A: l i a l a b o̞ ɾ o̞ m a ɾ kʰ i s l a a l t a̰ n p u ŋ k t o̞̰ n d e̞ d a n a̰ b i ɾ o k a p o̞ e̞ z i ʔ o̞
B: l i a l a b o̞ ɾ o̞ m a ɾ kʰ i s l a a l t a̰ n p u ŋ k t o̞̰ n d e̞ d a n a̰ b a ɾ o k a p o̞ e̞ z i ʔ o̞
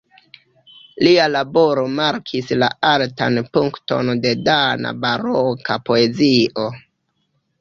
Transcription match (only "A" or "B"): B